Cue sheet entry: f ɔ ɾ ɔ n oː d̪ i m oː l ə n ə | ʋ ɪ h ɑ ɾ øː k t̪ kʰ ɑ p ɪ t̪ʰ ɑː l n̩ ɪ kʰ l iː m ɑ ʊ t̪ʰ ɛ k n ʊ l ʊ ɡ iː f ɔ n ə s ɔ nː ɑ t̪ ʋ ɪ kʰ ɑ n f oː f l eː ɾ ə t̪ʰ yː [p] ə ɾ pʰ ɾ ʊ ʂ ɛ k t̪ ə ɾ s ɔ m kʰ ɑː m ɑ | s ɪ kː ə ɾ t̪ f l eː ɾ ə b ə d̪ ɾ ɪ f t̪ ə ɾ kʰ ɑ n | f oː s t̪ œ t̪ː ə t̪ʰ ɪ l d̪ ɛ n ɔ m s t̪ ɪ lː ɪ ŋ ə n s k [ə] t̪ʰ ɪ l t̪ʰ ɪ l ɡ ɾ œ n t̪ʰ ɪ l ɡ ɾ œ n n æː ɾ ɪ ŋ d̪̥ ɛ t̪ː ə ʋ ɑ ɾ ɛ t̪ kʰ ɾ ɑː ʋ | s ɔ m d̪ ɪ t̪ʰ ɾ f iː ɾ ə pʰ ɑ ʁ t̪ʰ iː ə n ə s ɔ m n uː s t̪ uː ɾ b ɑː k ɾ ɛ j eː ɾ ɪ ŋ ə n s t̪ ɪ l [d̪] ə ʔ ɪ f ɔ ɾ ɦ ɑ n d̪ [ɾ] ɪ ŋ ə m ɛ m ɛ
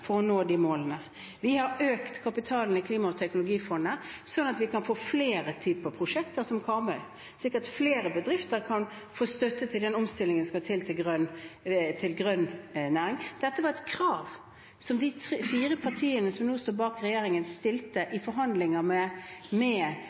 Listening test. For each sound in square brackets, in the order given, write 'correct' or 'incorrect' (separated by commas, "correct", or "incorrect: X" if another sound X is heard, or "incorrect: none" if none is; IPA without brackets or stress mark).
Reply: correct, incorrect: ɑ, incorrect: t̪, incorrect: l